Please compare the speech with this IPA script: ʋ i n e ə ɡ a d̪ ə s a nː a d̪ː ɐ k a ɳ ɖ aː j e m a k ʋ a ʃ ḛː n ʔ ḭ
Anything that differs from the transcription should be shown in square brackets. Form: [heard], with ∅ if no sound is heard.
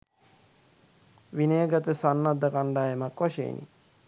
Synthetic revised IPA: ʋ i n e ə ɡ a [t̪] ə s a nː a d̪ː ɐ k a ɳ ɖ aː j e m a k ʋ a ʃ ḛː n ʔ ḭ